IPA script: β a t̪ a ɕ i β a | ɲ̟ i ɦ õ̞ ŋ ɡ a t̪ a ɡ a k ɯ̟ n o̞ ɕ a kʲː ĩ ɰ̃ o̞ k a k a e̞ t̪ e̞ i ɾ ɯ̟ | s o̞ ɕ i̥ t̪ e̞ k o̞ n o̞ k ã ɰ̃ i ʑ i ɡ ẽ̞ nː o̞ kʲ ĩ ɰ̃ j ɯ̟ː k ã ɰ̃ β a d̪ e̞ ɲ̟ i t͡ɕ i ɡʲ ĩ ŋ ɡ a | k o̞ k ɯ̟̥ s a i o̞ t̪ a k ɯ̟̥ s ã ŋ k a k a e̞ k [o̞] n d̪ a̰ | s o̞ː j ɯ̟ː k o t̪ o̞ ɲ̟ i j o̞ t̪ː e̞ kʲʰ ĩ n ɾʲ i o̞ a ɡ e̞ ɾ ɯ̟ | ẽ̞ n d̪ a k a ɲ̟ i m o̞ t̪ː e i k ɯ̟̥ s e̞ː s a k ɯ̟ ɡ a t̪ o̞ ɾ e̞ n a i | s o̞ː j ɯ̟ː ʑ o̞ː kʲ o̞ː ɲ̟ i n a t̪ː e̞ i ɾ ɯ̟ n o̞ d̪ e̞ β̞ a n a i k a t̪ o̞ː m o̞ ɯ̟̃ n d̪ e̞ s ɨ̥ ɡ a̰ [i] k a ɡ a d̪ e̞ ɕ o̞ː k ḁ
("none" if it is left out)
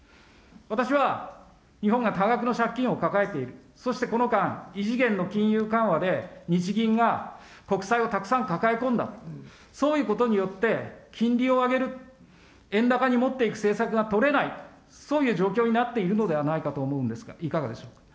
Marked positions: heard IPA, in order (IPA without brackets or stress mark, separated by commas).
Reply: õ̞, i